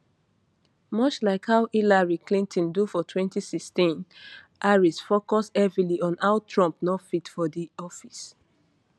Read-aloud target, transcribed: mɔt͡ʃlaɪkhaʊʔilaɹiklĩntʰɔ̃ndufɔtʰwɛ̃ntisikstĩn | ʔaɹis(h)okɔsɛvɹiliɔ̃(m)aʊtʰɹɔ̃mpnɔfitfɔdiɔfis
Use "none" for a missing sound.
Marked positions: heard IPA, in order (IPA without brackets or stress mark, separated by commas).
f, n